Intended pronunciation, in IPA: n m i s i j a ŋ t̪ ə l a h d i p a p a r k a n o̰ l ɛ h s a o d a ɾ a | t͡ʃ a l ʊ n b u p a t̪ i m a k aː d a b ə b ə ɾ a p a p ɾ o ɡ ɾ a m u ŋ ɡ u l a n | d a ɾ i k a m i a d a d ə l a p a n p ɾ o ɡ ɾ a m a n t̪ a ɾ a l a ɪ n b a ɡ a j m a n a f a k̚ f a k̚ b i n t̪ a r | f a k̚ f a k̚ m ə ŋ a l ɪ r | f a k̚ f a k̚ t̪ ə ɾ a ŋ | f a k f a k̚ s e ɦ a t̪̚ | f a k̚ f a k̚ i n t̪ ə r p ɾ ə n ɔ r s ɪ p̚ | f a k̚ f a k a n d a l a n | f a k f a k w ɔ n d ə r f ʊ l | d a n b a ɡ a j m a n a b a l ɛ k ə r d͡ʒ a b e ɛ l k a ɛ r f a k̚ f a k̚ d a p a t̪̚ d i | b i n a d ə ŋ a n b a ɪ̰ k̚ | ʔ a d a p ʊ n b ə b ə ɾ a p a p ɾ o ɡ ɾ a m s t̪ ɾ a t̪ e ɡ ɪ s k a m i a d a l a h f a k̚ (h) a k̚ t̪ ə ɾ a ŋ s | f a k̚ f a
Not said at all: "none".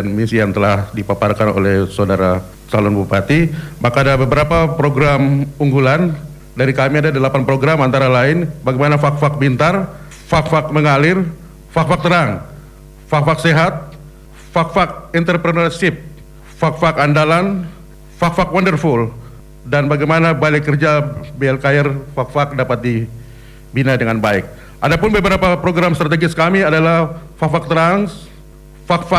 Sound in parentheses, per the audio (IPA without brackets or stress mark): f